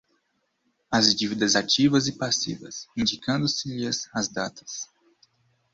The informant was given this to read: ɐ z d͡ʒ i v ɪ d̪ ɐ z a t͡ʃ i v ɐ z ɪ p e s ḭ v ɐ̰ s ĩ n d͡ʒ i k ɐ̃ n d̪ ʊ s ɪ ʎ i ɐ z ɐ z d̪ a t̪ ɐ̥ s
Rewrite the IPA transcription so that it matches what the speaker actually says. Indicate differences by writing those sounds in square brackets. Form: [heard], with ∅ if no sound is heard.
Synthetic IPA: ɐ z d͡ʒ i v [i] d̪ ɐ z a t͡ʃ i v ɐ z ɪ p [a] s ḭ v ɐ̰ s ĩ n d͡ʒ i k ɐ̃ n d̪ ʊ s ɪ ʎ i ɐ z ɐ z d̪ a t̪ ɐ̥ s

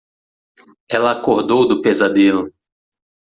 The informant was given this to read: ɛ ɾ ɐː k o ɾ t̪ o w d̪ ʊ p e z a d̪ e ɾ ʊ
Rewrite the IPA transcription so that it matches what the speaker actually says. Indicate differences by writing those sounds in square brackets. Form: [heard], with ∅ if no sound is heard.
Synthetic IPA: ɛ [l] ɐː k o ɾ [d̪] o w d̪ ʊ p e z a d̪ e [l] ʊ

